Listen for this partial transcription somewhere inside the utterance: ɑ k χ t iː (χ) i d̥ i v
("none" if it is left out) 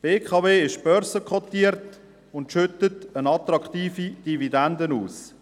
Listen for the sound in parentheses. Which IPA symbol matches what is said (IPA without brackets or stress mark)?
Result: f